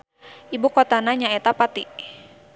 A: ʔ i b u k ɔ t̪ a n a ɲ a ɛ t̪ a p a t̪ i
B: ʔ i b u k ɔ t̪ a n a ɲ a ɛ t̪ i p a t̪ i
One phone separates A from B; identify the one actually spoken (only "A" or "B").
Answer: A